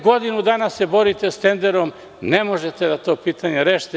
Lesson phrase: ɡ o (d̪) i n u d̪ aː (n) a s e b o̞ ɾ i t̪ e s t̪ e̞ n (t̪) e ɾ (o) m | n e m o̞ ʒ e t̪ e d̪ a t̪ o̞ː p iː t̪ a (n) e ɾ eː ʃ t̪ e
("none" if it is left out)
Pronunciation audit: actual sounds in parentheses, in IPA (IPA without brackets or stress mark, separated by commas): d̪, n, d̪, o, ɲ